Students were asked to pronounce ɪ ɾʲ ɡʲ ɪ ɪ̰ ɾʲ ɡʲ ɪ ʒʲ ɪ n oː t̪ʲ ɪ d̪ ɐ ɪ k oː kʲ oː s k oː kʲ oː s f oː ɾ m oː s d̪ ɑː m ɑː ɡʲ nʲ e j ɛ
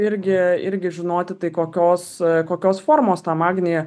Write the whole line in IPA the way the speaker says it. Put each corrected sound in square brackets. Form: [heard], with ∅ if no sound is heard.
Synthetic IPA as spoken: ɪ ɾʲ ɡʲ ɪ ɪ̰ ɾʲ ɡʲ ɪ ʒʲ ɪ n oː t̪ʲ ɪ [t̪] ɐ ɪ k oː kʲ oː s k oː kʲ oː s f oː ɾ m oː s [t̪] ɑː m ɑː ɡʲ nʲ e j ɛ